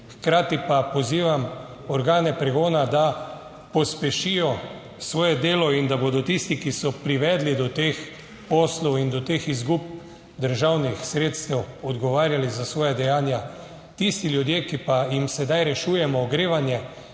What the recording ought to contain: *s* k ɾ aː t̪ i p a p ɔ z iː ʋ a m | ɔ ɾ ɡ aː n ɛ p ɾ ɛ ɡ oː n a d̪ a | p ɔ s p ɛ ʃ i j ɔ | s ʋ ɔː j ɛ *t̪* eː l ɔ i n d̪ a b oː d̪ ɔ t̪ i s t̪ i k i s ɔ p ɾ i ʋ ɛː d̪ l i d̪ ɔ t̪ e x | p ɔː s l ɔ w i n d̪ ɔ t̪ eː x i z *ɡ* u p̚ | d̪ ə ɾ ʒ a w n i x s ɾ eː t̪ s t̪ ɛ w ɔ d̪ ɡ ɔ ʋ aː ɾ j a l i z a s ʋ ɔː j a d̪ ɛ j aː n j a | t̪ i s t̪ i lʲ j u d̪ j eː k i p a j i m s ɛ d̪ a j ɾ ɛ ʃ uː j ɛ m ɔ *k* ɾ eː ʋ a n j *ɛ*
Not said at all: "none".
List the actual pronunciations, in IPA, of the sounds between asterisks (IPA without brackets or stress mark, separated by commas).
x, d̪, ɡ, ɡ, ɛ